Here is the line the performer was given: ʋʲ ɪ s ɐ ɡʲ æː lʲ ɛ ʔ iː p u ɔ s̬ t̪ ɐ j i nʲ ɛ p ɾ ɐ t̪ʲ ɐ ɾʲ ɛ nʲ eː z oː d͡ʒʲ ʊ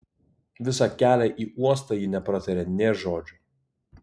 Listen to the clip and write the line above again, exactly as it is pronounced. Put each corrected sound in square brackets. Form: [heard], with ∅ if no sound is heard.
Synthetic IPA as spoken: ʋʲ ɪ s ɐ [kʲ] æː lʲ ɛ ʔ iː [∅] u ɔ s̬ t̪ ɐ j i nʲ ɛ p ɾ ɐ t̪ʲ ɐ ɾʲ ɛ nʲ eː [ʒ] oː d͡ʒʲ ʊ

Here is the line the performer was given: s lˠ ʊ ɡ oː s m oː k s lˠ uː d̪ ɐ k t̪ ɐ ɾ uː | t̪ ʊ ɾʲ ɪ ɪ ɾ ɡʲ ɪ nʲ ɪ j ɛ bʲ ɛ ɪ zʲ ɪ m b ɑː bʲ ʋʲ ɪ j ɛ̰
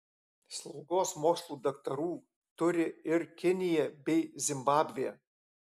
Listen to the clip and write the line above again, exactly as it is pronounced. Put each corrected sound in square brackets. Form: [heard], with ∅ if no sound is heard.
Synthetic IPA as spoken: s lˠ ʊ ɡ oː s m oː k s lˠ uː d̪ ɐ k t̪ ɐ ɾ uː | t̪ ʊ ɾʲ ɪ ɪ ɾ [kʲ] ɪ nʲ ɪ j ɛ bʲ ɛ ɪ zʲ ɪ m b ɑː bʲ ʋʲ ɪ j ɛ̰

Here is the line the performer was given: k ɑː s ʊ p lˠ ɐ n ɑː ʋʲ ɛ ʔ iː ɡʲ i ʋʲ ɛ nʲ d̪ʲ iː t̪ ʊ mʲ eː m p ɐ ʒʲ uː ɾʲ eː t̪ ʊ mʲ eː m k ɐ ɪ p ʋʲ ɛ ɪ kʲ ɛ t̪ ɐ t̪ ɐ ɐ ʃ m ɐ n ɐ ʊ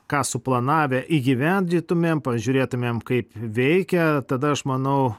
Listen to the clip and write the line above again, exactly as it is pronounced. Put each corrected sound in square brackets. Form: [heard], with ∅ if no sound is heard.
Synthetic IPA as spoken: k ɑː s ʊ p lˠ ɐ n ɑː ʋʲ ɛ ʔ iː ɡʲ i ʋʲ ɛ nʲ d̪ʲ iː t̪ ʊ mʲ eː m p ɐ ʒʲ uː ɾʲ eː t̪ ʊ mʲ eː m k ɐ ɪ p ʋʲ ɛ ɪ kʲ ɛ t̪ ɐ [d̪] ɐ ɐ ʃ m ɐ n ɐ ʊ

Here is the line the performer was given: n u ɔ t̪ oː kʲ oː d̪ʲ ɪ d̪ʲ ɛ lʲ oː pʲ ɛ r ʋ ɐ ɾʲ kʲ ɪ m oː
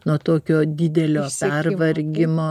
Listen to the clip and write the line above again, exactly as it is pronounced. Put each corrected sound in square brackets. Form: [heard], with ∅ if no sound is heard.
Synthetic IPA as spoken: n u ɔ t̪ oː kʲ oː d̪ʲ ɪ d̪ʲ ɛ lʲ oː pʲ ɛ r ʋ ɐ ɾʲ [ɡʲ] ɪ m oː

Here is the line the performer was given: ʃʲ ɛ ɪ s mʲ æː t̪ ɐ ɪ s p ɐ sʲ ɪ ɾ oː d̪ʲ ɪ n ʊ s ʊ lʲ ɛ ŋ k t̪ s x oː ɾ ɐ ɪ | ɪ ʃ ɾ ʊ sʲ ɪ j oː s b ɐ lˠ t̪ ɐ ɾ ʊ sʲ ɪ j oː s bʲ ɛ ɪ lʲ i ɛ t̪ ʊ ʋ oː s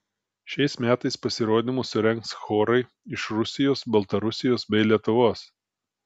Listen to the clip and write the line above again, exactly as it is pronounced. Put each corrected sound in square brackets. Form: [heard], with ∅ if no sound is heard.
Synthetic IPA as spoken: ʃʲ ɛ ɪ s mʲ æː t̪ ɐ ɪ s p ɐ sʲ ɪ ɾ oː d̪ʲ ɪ [m] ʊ s ʊ [ɾʲ] ɛ ŋ k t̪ s x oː ɾ ɐ ɪ | ɪ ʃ ɾ ʊ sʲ ɪ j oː s b ɐ lˠ t̪ ɐ ɾ ʊ sʲ ɪ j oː s bʲ ɛ ɪ lʲ i ɛ t̪ ʊ ʋ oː s

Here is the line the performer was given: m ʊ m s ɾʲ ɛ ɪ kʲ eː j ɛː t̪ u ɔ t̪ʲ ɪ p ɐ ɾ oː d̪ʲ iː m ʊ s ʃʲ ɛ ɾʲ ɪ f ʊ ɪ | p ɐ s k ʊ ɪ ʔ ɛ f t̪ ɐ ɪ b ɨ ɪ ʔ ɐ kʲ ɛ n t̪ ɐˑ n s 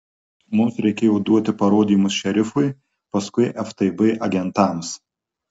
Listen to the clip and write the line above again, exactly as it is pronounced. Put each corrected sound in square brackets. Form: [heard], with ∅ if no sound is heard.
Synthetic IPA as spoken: m ʊ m s ɾʲ ɛ ɪ kʲ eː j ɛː [d̪] u ɔ t̪ʲ ɪ p ɐ ɾ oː d̪ʲ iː m ʊ s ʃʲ ɛ ɾʲ ɪ f ʊ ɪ | p ɐ s k ʊ ɪ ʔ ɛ f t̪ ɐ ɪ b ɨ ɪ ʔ ɐ [ɡʲ] ɛ n t̪ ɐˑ [m] s

